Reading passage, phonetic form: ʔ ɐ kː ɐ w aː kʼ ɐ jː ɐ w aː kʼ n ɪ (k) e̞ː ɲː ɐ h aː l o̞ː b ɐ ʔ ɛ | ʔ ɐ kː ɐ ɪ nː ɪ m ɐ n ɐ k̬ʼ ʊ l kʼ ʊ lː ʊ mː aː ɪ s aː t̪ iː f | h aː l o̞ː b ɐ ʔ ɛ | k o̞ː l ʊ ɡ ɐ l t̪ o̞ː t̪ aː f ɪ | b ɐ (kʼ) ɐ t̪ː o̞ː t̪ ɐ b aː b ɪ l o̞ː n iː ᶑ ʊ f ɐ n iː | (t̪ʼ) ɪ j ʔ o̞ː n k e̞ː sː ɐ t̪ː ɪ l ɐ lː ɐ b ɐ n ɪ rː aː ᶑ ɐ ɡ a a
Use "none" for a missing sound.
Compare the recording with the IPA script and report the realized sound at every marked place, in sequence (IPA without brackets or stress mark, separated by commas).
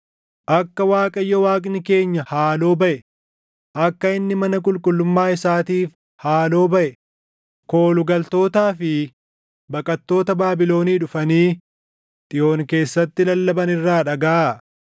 k, kʼ, t̪ʼ